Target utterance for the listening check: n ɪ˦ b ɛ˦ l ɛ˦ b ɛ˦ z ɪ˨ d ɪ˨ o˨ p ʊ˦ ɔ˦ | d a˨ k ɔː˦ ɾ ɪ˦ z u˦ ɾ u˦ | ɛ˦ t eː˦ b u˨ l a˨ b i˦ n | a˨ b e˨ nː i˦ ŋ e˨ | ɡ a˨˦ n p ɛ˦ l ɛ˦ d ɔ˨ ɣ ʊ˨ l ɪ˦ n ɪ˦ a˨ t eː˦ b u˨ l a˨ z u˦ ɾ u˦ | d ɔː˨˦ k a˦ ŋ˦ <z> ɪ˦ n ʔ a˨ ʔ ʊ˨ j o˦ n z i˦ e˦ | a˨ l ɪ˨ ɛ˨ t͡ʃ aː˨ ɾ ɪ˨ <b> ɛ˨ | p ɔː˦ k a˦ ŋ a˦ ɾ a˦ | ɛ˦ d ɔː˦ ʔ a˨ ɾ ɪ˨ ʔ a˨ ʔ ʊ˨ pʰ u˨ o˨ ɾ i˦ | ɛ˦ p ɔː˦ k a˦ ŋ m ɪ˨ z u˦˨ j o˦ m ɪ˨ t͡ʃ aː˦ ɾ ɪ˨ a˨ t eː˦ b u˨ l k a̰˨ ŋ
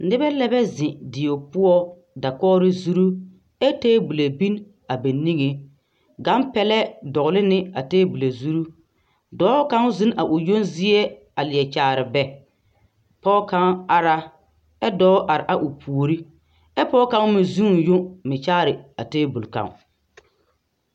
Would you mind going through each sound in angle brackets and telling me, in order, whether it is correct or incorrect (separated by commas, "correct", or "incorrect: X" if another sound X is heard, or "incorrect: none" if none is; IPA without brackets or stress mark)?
correct, correct